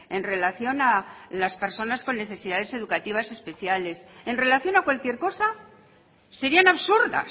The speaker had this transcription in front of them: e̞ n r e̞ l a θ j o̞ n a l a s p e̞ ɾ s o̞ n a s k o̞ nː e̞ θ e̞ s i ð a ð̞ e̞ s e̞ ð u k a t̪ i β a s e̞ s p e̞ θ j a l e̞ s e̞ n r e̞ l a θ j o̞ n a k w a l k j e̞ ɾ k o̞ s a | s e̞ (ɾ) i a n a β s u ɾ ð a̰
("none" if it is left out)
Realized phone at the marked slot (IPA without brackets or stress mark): ɾ